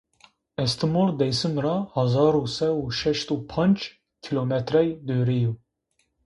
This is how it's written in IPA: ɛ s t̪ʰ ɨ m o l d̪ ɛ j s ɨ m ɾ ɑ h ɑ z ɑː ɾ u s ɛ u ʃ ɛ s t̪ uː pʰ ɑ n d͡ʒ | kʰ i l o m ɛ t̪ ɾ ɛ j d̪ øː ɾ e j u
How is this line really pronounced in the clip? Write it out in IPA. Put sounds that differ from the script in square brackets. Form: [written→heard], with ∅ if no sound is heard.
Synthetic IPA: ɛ s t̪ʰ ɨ m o l d̪ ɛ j s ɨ m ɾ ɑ h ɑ z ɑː ɾ u s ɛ u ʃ ɛ [s→ʃ] t̪ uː pʰ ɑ n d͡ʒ | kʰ i l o m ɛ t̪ ɾ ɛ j d̪ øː ɾ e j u